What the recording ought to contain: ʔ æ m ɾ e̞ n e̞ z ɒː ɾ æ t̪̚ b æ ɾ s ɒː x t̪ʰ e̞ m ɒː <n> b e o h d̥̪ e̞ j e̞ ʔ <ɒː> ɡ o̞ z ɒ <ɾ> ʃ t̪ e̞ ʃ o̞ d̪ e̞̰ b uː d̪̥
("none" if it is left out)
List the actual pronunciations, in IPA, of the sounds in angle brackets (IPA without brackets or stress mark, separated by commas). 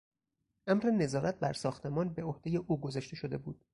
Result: n, uː, none